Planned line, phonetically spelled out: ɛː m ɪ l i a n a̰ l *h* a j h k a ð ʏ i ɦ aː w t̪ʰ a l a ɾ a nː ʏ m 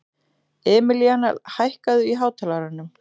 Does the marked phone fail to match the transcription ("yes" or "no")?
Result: no